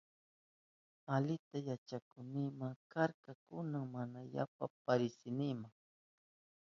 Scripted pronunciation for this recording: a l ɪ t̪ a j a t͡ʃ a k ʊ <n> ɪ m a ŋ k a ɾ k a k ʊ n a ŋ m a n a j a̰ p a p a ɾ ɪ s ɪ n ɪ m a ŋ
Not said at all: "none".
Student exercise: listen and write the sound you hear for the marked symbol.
n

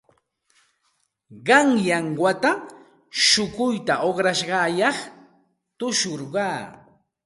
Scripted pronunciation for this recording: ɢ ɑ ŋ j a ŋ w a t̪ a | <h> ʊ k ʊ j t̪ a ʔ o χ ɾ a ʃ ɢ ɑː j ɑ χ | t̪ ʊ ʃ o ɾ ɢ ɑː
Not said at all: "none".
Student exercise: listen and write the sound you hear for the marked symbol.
ʃ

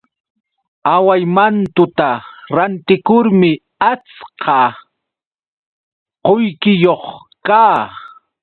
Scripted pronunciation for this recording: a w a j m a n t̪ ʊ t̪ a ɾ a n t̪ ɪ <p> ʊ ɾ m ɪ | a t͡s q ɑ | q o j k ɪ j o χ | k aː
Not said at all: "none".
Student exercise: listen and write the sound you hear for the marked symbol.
k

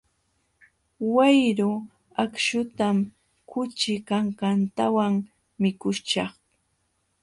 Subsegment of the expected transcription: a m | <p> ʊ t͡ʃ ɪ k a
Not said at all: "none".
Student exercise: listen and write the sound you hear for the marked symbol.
k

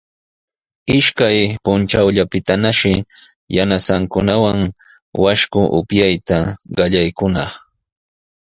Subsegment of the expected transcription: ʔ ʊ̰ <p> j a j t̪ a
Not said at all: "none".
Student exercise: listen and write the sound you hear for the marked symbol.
p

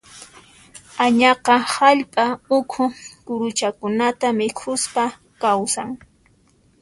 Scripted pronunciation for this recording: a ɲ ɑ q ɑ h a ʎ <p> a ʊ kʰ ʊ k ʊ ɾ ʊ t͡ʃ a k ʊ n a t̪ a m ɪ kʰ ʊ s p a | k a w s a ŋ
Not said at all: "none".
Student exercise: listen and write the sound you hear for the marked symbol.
pʼ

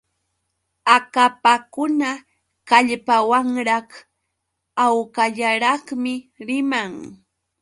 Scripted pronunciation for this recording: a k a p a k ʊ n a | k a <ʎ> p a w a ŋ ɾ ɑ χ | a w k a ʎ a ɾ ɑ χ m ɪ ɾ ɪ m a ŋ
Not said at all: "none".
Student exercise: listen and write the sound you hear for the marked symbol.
ʎ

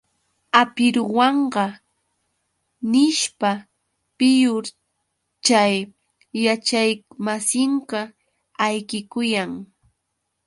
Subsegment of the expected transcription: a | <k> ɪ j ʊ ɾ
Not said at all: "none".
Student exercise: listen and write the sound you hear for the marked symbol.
p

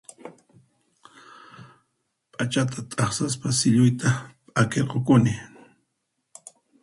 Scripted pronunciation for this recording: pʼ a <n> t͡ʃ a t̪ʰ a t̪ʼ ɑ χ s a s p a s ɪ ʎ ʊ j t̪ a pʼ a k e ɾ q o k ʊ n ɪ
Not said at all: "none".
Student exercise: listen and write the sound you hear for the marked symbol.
none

